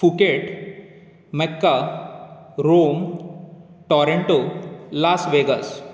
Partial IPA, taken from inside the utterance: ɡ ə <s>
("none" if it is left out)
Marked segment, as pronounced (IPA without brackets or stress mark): s